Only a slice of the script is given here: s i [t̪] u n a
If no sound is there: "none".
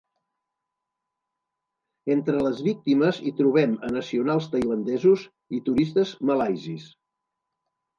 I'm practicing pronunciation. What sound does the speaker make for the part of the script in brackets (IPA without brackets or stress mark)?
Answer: none